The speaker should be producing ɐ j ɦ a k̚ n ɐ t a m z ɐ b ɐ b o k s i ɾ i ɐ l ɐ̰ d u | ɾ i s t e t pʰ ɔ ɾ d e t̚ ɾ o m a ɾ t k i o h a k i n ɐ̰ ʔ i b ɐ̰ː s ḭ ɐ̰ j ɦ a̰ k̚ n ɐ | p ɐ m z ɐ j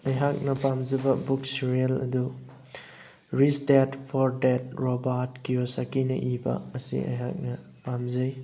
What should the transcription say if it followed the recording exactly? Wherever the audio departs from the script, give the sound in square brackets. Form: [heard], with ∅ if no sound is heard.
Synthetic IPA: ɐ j ɦ a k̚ n ɐ [p] a m z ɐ b ɐ b [u] k s i ɾ i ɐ l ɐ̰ d u | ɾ i s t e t pʰ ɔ ɾ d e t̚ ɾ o [b] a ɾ t k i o [s] a k i n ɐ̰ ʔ i b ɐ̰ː s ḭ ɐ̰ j ɦ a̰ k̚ n ɐ | p [a] m z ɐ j